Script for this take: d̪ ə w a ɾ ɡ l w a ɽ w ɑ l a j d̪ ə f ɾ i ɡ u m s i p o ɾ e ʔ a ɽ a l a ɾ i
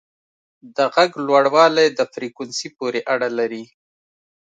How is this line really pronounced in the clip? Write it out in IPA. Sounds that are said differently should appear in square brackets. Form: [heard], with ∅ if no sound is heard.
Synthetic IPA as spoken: d̪ ə [ɣ] a [∅] ɡ l w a ɽ w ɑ l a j d̪ ə f ɾ i [k] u [n] s i p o ɾ e ʔ a ɽ a l a ɾ i